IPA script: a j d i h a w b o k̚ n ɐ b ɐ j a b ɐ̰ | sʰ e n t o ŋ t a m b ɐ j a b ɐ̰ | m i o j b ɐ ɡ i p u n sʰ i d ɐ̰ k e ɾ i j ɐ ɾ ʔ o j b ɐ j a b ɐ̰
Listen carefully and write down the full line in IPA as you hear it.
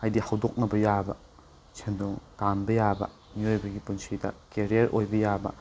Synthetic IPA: a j d i h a w d o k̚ n ɐ b ɐ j a b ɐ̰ | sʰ e n d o ŋ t a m b ɐ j a b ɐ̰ | m i o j b ɐ ɡ i p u n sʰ i d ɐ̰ k e ɾ i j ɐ ɾ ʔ o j b ɐ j a b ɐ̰